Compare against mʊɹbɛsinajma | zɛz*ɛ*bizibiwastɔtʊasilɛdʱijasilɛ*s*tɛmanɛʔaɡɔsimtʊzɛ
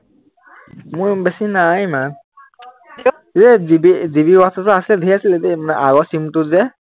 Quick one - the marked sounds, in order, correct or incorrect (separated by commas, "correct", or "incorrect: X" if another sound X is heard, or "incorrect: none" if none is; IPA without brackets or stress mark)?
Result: incorrect: i, incorrect: none